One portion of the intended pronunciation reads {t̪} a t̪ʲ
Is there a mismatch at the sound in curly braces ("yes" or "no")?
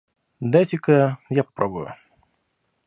yes